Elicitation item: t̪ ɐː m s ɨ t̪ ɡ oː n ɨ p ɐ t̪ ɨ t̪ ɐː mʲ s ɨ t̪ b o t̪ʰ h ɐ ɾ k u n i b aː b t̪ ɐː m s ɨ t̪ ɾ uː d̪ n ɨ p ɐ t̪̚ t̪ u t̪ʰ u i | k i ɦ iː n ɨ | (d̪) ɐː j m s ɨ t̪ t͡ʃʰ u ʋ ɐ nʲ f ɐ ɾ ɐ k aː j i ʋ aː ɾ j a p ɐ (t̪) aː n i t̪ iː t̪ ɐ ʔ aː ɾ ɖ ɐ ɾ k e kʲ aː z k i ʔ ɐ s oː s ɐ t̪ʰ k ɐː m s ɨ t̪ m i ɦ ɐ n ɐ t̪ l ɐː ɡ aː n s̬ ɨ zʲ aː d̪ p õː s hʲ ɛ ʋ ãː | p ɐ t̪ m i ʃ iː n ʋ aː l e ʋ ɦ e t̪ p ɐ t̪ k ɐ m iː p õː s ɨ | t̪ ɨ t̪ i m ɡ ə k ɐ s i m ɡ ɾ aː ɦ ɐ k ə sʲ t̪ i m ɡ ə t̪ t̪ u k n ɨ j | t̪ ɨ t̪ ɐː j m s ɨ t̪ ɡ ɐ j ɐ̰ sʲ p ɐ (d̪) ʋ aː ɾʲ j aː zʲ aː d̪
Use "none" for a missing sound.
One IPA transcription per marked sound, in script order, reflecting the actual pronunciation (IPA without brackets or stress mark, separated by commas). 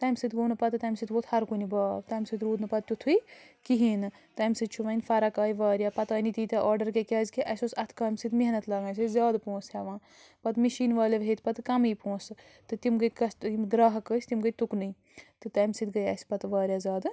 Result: t̪, t̪, t̪